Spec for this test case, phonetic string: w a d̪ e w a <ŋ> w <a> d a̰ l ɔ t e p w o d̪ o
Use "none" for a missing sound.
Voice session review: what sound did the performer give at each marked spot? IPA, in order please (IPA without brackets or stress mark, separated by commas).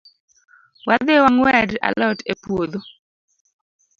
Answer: ŋ, ɛ